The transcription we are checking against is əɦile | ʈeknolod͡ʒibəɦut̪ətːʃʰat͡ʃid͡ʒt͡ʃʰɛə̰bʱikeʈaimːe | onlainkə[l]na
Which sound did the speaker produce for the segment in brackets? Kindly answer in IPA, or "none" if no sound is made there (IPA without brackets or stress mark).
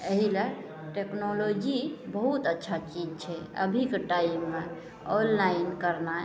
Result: ɾ